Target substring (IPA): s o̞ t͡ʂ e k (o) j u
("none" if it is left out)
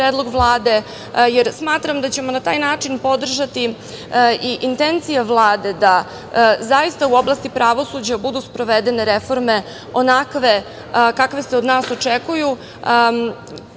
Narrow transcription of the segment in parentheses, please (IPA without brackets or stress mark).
u